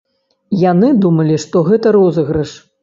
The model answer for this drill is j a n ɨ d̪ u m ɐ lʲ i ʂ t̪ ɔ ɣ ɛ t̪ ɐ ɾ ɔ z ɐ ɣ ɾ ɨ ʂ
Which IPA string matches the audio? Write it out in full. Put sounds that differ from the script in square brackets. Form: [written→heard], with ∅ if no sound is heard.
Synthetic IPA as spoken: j a n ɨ d̪ u m ɐ lʲ i ʂ t̪ ɔ ɣ ɛ t̪ ɐ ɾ ɔ z ɐ ɣ ɾ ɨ ʂ